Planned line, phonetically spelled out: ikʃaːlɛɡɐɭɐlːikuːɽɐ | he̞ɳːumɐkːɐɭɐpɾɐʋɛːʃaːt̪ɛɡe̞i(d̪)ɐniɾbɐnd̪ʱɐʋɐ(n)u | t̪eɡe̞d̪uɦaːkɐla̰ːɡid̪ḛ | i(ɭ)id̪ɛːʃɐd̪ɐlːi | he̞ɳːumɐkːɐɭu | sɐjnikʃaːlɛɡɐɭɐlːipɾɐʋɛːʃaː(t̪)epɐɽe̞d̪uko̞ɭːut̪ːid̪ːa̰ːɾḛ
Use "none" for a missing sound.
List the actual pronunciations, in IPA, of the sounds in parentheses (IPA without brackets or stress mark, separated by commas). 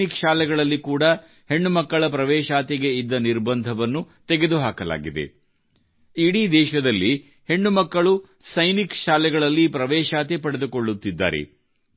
d̪ː, nː, ɽ, t̪